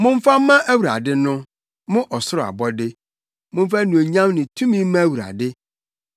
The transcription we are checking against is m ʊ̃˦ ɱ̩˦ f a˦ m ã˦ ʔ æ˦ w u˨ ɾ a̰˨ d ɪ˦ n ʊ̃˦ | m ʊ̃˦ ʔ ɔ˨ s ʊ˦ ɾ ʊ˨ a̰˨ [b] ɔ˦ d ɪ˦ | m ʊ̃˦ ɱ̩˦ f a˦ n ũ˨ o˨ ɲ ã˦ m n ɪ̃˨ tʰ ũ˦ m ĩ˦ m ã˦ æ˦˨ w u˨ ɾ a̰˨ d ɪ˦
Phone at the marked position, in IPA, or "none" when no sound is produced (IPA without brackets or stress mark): b